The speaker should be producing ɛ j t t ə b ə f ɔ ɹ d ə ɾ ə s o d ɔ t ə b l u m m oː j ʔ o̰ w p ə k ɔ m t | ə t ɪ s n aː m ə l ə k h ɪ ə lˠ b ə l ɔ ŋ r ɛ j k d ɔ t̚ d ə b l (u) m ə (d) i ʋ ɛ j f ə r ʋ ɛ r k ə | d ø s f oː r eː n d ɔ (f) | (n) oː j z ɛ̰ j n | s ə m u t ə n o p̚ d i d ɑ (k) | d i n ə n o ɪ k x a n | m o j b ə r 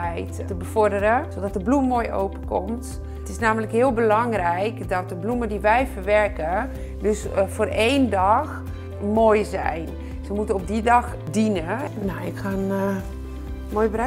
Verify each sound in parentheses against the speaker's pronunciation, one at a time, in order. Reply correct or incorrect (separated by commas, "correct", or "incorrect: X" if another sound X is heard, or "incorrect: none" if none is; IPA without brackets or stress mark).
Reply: correct, correct, incorrect: x, incorrect: m, incorrect: x